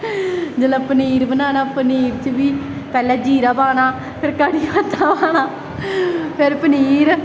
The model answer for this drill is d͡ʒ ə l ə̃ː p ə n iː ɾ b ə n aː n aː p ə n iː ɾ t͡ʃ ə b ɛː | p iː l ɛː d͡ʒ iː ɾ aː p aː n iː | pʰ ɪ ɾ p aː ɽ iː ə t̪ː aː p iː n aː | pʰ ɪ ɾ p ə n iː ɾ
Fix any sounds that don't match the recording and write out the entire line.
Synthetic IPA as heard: d͡ʒ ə l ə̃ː p ə n iː ɾ b ə n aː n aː p ə n iː ɾ t͡ʃ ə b iː | p ɛː l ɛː d͡ʒ iː ɾ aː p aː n aː | pʰ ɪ ɾ k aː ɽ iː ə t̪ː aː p aː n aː | pʰ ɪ ɾ p ə n iː ɾ